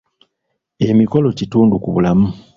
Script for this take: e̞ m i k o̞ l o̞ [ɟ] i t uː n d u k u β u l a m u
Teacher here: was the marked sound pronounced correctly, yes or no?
no